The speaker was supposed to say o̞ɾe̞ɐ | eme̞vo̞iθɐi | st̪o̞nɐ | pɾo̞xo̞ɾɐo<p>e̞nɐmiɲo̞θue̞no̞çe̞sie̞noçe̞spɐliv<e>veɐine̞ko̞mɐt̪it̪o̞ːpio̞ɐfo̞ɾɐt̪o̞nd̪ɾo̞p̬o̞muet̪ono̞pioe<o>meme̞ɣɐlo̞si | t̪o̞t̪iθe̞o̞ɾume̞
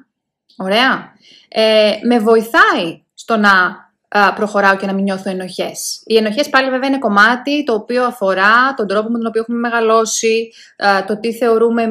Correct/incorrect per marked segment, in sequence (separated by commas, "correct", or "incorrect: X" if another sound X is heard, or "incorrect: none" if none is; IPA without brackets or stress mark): incorrect: c, correct, incorrect: u